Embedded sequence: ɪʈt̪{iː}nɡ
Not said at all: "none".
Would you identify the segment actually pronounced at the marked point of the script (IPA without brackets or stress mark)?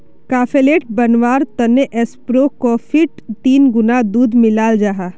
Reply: iː